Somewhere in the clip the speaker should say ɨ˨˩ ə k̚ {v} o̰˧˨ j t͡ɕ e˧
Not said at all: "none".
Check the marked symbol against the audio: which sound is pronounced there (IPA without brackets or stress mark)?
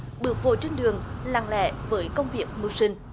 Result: v